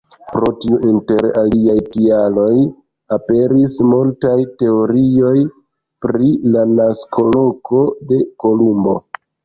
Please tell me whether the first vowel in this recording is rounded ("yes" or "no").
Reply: yes